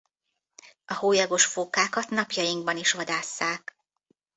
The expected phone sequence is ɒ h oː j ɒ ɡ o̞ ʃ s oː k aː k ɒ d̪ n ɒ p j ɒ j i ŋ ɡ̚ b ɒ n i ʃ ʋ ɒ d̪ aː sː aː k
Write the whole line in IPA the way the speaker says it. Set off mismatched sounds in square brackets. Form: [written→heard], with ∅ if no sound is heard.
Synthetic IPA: ɒ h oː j ɒ ɡ o̞ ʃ [s→f] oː k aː k ɒ [d̪→t̪] n ɒ p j ɒ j i ŋ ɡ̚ b ɒ n i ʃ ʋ ɒ d̪ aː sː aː k